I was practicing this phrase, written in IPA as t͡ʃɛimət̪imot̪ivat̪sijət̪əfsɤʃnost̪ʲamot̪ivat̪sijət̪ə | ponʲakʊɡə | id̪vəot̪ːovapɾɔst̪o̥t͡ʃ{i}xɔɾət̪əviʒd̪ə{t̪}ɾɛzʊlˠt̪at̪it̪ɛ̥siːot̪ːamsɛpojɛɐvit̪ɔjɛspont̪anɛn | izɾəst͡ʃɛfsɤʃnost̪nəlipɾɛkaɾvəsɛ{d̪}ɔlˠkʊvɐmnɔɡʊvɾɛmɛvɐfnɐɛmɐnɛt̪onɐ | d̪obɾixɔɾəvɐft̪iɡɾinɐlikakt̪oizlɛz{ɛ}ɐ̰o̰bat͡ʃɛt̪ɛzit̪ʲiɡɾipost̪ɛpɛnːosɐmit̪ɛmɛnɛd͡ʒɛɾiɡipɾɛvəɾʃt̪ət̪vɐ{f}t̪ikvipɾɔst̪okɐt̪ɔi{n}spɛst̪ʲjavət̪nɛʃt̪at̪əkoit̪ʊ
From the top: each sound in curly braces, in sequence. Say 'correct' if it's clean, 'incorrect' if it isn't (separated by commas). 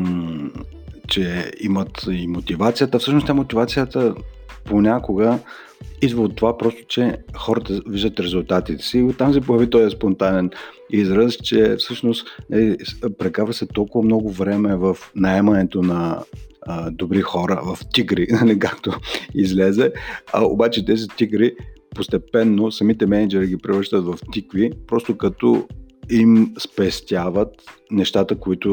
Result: incorrect, correct, incorrect, correct, correct, incorrect